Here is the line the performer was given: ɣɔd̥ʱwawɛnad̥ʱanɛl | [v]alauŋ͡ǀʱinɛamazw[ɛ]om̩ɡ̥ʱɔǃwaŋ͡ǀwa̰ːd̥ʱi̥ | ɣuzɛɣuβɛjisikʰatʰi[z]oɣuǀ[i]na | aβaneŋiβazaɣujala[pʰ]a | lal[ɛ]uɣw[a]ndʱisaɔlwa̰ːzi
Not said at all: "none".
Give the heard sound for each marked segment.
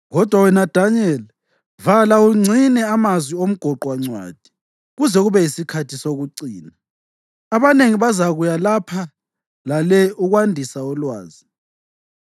v, i, s, iː, pʰ, ɛ, a

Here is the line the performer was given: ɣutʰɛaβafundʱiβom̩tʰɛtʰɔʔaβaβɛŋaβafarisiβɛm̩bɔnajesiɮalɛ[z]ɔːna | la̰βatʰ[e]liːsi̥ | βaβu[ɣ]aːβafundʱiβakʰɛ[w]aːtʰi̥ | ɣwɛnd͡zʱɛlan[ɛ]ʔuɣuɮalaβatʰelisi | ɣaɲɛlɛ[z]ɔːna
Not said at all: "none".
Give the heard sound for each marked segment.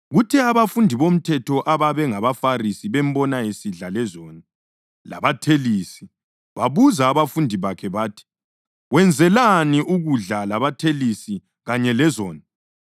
z, e, z, β, i, z

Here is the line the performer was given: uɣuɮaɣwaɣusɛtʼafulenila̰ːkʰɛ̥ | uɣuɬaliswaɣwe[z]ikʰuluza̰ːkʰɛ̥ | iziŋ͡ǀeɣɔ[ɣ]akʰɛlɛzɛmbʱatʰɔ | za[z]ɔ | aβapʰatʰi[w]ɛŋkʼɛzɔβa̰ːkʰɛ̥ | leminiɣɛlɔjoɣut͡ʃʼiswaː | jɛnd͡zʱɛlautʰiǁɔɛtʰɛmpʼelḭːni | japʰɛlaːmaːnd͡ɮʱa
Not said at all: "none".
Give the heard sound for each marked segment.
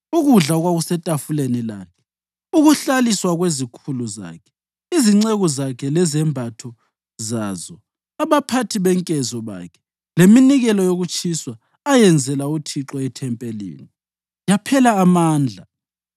z, z, z, β

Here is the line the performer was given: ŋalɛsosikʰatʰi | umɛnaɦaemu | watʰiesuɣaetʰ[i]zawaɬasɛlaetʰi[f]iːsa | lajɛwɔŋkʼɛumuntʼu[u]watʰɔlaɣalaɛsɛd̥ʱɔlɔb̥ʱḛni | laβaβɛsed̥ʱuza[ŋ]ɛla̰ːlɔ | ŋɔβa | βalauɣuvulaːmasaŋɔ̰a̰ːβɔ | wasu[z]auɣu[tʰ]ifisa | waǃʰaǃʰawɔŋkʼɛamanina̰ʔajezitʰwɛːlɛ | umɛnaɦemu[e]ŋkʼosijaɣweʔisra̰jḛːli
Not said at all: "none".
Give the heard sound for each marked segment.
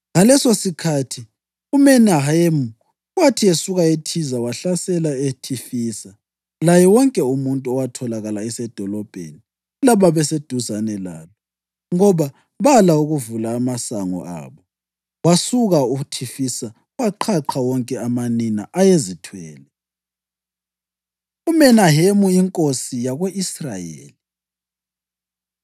i, f, ɔ, n, ɣ, tʰ, i

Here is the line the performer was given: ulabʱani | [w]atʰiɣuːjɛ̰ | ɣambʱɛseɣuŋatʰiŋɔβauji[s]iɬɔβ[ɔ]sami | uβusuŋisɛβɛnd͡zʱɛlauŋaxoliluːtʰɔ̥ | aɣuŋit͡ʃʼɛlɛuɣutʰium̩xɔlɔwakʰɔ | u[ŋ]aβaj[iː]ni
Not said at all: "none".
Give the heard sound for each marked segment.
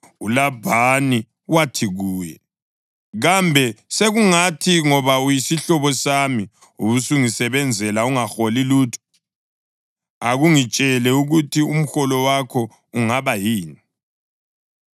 w, s, ɔ, ŋ, iː

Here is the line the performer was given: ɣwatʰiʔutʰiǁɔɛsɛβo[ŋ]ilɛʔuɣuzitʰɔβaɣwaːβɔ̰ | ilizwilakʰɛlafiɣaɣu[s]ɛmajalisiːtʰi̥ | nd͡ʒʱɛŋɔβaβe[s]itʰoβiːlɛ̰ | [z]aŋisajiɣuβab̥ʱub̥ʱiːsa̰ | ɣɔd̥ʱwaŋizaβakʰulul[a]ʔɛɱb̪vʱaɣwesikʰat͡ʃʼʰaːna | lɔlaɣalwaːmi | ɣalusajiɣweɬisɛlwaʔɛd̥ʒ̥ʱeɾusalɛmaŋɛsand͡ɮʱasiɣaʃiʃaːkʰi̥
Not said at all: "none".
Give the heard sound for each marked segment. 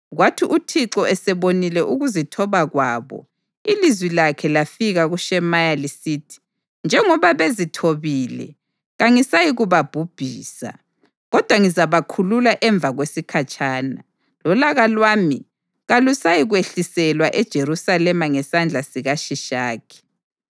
n, ʃ, z, ɣ, a

